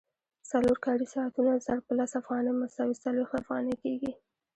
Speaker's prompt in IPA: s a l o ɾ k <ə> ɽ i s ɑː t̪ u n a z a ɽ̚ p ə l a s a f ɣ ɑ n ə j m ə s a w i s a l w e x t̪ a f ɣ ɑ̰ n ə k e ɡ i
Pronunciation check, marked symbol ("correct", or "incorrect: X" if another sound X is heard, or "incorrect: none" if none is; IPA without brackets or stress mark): incorrect: ɑ